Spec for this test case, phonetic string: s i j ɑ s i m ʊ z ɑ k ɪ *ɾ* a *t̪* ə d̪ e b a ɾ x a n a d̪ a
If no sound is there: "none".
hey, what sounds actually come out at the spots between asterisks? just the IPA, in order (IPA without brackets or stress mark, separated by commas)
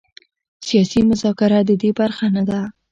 ɾ, d̪